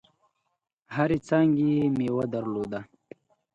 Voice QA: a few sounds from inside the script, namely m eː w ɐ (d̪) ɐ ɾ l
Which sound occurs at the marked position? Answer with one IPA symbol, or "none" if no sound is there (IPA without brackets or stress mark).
d̪